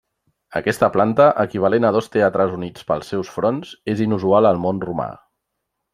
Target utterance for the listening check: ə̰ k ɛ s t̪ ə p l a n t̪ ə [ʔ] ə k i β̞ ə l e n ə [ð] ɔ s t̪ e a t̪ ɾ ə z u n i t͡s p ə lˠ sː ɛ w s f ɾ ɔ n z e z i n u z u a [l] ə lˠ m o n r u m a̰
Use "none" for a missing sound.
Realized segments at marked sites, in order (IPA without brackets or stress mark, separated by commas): ʔ, ð, l